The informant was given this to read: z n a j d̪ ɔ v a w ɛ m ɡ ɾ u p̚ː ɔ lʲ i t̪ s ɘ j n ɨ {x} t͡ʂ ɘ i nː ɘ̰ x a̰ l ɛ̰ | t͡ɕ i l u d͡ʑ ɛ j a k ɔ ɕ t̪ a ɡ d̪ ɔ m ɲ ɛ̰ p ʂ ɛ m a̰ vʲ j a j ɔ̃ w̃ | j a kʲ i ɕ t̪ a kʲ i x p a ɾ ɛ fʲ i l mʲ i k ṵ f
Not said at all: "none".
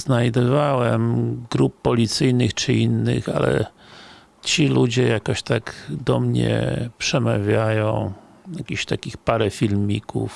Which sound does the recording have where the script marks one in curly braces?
x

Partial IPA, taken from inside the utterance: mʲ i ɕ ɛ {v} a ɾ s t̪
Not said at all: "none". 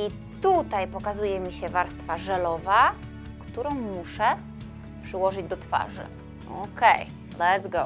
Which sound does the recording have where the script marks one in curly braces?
v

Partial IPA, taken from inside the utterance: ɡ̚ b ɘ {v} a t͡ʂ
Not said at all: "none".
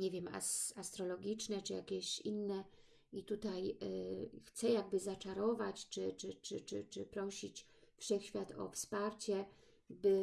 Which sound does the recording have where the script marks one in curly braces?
z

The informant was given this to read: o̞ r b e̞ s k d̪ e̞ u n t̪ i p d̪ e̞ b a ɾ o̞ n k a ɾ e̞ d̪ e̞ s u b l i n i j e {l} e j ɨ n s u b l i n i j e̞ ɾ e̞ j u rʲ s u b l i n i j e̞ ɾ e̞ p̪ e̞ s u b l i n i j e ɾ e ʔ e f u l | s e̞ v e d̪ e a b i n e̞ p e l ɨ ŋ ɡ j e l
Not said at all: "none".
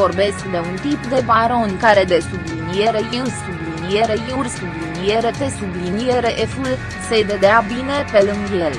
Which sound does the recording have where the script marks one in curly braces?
ɾ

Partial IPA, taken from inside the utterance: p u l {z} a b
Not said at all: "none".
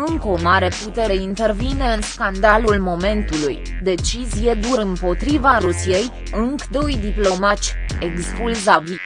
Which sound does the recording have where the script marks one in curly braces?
z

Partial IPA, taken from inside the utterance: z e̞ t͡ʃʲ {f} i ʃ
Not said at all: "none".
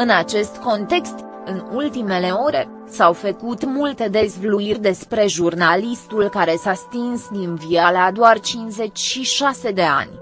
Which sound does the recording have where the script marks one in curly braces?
ʃ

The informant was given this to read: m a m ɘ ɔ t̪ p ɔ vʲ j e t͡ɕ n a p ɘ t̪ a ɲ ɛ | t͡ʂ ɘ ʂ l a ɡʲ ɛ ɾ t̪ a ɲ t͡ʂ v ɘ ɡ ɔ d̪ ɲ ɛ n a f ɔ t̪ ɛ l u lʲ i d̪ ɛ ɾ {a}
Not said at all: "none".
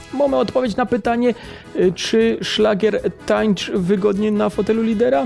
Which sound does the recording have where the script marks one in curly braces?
a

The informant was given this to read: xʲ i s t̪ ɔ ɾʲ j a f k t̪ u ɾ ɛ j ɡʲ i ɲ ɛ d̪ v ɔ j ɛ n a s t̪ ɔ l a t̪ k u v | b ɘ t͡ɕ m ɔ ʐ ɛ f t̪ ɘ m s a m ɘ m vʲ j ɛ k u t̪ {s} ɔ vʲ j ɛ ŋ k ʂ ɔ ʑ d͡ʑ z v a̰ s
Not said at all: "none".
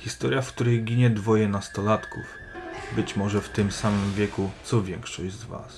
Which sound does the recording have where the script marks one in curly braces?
s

